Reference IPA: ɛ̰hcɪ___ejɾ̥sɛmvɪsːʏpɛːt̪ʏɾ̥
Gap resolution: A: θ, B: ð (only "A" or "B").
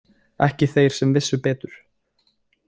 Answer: A